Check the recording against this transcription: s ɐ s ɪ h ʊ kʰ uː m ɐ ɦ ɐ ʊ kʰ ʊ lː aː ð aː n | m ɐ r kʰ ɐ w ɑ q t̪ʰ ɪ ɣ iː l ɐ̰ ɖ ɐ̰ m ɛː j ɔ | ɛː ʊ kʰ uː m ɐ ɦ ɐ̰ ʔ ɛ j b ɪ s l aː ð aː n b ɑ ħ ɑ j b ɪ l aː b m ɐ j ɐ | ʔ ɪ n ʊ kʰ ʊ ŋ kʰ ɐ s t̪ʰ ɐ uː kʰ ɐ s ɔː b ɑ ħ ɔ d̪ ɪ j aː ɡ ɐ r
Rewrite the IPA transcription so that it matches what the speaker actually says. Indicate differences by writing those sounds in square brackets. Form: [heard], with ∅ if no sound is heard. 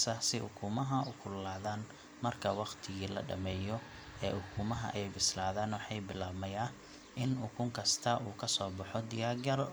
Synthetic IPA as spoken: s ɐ s ɪ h ʊ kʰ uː m ɐ ɦ ɐ ʊ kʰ ʊ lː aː ð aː n | m ɐ r kʰ ɐ w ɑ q t̪ʰ ɪ ɣ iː l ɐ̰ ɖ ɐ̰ m ɛː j ɔ | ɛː ʊ kʰ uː m ɐ ɦ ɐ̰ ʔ ɛ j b ɪ s l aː ð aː n [w] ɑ ħ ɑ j b ɪ l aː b m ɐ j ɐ | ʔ ɪ n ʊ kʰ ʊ ŋ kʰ ɐ s t̪ʰ ɐ uː kʰ ɐ s ɔː b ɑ ħ ɔ d̪ ɪ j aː ɡ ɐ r